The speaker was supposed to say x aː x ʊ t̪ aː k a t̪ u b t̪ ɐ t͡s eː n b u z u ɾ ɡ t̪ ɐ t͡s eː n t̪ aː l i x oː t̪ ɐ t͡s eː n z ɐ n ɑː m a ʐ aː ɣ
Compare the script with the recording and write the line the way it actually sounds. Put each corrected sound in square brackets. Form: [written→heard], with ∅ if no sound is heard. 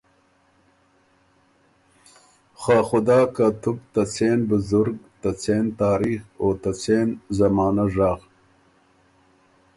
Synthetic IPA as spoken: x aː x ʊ [t̪→d̪] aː k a t̪ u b t̪ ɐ t͡s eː n b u z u ɾ ɡ t̪ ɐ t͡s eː n t̪ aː [l→ɾ] i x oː t̪ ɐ t͡s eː n z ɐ [n→m] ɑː [m→n] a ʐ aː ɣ